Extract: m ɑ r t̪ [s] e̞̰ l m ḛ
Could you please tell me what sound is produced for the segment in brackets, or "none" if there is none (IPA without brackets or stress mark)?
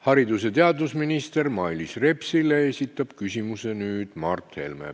h